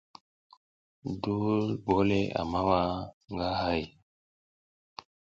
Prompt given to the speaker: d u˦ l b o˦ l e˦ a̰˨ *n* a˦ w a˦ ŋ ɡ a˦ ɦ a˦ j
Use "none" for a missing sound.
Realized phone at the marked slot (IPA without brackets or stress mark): m